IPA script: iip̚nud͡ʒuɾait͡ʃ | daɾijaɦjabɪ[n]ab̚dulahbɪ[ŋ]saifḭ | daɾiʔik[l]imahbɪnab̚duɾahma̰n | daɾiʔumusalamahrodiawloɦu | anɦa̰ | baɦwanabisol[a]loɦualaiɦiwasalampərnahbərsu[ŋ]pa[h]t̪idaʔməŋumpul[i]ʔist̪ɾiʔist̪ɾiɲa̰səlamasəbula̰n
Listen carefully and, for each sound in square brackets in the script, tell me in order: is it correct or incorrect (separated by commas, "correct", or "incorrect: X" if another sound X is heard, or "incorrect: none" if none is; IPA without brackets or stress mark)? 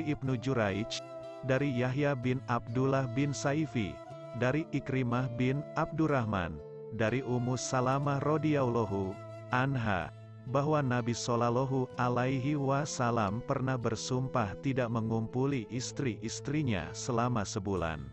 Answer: correct, incorrect: n, incorrect: ɾ, correct, incorrect: m, correct, correct